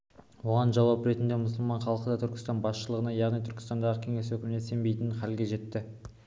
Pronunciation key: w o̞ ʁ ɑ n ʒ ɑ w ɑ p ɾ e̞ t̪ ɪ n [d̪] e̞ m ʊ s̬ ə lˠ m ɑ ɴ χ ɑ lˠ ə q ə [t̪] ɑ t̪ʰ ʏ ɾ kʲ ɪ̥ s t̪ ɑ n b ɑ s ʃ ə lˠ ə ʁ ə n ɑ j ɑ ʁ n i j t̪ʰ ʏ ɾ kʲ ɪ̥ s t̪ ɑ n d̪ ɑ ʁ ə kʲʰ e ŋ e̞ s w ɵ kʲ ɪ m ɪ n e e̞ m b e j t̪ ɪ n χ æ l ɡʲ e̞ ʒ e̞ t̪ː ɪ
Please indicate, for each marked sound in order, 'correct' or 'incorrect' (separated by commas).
correct, incorrect